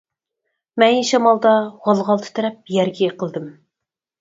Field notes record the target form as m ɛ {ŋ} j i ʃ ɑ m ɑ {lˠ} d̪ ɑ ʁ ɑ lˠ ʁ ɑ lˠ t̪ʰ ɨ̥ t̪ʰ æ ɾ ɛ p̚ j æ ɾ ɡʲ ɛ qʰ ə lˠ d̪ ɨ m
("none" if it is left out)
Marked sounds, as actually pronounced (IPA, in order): n, lˠ

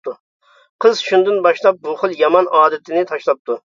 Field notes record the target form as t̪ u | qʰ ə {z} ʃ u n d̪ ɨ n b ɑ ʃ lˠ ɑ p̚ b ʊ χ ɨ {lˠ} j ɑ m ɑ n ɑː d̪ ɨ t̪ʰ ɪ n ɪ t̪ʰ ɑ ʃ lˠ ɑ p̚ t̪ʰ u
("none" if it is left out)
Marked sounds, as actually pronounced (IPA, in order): z, lˠ

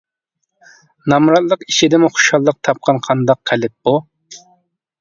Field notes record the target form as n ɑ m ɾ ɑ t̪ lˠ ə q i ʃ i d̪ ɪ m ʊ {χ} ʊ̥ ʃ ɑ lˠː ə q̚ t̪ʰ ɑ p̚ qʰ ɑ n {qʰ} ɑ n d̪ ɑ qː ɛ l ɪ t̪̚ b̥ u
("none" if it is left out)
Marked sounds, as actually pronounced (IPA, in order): χ, qʰ

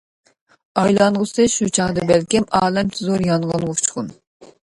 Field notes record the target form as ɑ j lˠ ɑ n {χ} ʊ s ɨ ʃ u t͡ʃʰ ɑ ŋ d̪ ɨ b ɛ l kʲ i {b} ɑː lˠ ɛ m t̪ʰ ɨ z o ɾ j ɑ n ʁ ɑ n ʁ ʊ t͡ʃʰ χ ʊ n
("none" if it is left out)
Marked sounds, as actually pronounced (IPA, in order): ʁ, m

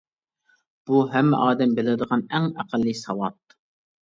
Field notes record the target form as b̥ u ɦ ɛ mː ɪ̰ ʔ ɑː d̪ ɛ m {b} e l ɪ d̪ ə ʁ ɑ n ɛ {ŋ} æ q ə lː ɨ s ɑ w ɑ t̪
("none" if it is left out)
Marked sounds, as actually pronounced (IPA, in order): b, ŋ

